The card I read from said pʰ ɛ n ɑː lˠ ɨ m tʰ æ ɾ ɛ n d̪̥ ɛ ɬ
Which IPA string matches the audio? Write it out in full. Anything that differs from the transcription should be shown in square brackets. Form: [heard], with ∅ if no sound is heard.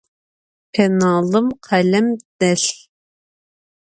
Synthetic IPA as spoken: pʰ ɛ n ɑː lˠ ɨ m [qʰ] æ [l] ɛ [m] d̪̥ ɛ ɬ